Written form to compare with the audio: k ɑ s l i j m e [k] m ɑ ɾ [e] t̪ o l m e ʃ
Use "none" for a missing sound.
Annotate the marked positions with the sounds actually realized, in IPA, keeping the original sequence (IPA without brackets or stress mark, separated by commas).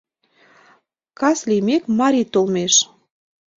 k, i